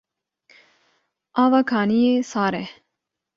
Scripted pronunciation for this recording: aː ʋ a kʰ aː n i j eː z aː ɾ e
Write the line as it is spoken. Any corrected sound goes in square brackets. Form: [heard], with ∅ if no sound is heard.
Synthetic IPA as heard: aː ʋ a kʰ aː n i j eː [s] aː ɾ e